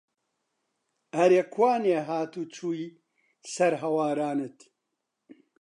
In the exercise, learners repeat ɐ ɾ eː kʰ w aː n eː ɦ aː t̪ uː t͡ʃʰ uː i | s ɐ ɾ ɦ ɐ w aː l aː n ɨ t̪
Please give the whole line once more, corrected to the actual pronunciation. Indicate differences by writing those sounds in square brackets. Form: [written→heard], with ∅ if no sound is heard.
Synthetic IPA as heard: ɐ ɾ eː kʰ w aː n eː ɦ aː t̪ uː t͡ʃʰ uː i | s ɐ ɾ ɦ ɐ w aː [l→ɾ] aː n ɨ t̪